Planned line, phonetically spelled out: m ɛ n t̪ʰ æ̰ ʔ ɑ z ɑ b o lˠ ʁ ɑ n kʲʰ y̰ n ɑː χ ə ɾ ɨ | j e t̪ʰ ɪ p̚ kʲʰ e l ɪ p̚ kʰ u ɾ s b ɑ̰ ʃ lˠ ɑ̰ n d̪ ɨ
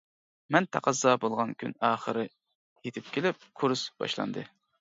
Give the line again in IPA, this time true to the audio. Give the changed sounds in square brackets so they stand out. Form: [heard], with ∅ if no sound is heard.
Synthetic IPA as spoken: m ɛ n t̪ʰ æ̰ [q] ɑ z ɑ b o lˠ ʁ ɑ n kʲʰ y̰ n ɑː χ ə ɾ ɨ | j e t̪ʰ ɪ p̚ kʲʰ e l ɪ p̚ kʰ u ɾ s b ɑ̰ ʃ lˠ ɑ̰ n d̪ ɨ